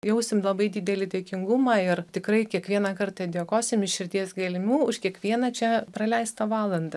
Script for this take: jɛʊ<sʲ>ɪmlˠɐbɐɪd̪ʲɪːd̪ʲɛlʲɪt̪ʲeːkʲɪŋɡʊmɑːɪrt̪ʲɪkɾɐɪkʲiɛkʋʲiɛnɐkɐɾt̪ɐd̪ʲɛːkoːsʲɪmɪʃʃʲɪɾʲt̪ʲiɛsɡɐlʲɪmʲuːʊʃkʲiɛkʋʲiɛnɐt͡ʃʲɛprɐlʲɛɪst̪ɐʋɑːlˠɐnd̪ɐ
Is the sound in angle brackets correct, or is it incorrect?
correct